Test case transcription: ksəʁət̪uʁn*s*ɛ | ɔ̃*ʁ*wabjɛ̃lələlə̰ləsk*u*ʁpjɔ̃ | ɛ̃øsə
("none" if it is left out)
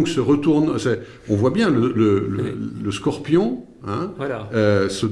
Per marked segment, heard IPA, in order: s, v, ɔ

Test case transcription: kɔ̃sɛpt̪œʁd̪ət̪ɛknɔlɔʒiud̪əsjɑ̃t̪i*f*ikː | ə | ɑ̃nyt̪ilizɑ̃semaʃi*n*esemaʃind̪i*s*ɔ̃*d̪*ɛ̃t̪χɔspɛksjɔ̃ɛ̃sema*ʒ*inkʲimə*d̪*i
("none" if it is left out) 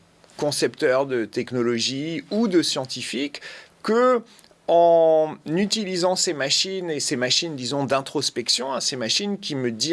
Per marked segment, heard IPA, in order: f, n, z, d̪, ʃ, d̪

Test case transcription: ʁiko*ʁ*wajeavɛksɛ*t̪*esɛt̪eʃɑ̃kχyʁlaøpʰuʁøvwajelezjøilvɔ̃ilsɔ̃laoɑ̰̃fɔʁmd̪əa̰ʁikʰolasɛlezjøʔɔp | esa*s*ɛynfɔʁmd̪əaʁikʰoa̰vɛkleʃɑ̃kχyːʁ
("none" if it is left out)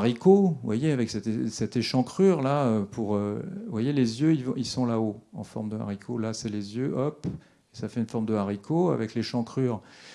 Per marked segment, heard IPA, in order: v, t̪, f

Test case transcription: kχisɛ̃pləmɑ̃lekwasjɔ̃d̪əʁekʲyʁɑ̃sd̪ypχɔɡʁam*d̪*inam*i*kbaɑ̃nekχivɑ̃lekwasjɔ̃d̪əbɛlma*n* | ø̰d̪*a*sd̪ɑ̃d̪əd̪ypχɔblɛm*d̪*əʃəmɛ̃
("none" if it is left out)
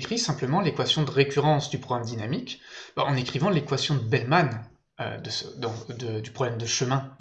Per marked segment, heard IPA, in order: d̪, i, n, ə, d̪

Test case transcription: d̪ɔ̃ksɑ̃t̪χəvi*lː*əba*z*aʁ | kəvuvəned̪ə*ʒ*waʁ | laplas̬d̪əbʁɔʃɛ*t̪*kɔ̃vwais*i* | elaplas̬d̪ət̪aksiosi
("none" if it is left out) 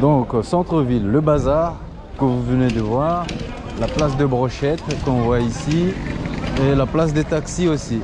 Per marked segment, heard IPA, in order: lː, z, v, t̪, i

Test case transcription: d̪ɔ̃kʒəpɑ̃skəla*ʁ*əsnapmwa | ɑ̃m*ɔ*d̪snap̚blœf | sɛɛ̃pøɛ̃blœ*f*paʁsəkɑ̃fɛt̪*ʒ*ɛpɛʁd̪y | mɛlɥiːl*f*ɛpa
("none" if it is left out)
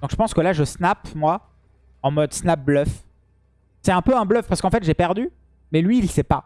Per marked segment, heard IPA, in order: ʒ, ɔ, f, ʒ, s

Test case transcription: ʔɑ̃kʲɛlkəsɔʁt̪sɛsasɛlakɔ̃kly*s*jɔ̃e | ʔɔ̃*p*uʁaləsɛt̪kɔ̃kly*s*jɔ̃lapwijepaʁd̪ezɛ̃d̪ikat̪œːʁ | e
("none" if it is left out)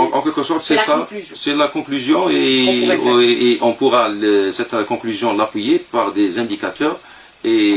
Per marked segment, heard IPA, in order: z, p, z

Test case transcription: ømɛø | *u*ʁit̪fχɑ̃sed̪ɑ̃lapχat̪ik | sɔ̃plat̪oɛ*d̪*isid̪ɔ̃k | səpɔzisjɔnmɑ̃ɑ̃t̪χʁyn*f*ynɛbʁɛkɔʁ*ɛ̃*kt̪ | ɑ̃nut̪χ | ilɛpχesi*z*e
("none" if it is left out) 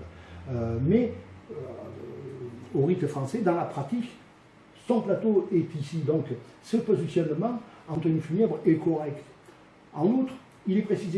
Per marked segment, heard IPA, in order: o, t̪, f, ɛ, z

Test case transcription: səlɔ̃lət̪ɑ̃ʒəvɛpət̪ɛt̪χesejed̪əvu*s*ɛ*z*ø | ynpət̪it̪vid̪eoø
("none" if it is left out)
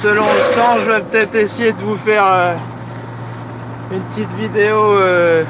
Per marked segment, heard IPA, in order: f, ʁ

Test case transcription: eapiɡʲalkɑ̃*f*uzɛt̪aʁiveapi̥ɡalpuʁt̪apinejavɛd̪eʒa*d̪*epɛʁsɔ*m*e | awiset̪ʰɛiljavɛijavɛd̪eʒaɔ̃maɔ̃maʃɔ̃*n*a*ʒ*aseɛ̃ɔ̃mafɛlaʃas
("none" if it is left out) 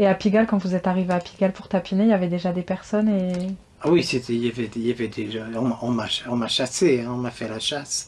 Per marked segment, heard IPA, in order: v, d̪, n, m, ʃ

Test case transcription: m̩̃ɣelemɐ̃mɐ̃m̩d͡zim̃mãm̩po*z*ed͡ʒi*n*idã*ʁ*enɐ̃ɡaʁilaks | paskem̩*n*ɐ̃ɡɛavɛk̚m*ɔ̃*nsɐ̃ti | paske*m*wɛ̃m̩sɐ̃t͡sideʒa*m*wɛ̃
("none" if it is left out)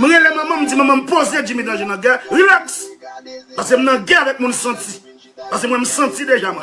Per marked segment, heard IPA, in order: z, m, ʒ, n, ũ, m, m

